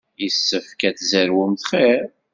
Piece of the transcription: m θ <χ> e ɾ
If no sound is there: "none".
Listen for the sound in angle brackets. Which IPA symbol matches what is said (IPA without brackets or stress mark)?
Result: χ